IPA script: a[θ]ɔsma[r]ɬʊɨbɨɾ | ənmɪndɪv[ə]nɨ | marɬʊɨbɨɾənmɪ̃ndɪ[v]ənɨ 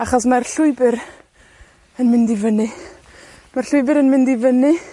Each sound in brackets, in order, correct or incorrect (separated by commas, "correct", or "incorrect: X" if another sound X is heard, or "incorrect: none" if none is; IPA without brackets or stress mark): incorrect: χ, correct, correct, correct